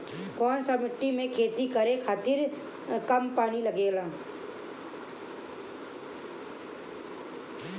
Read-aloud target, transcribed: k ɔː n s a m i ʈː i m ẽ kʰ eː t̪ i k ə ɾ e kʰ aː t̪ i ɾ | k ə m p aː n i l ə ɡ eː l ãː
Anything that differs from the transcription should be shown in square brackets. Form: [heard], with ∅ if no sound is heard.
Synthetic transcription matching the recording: k ɔː n s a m [ɪ] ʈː i m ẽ kʰ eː t̪ i k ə ɾ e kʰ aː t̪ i ɾ | k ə m p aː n i l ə ɡ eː l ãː